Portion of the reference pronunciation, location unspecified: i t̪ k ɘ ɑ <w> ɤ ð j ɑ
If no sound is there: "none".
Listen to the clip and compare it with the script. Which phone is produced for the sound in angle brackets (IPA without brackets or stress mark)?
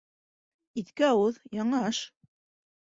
w